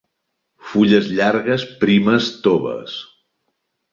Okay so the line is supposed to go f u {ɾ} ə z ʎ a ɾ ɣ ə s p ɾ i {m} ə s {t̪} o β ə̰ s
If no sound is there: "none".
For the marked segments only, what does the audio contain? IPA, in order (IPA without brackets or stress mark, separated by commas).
ʎ, m, t̪